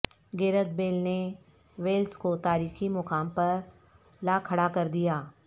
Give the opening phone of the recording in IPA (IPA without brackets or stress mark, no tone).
ɡ